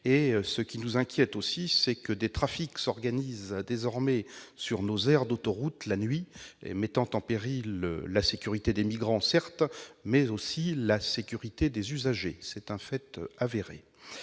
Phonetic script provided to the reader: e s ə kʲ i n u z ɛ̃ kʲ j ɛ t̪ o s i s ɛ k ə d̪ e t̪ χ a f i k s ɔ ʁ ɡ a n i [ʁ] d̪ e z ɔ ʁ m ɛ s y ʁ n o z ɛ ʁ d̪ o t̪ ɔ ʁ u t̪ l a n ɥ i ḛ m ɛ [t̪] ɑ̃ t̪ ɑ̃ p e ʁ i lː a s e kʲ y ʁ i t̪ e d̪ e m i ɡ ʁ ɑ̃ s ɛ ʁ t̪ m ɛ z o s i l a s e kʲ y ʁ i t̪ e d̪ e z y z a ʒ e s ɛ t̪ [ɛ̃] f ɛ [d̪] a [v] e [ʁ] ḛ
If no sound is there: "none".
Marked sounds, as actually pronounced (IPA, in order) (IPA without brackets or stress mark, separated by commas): z, t̪, ɛ̃, t̪, v, ʁ